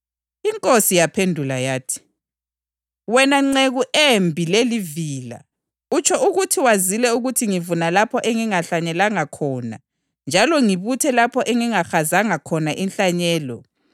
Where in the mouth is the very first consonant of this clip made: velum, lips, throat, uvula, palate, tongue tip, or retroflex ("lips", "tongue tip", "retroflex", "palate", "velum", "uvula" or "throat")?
velum